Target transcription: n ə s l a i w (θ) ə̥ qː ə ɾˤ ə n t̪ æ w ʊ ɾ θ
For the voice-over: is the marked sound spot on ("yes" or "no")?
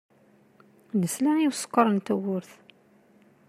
no